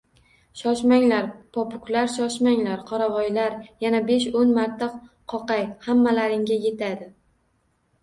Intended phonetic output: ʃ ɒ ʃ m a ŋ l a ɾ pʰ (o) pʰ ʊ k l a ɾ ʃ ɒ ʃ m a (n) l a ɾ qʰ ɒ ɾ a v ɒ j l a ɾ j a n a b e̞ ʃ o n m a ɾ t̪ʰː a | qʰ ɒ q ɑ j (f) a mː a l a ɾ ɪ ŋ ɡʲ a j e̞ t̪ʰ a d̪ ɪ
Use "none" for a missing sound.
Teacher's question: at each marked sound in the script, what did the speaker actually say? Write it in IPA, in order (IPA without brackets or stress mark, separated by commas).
ɒ, ŋ, h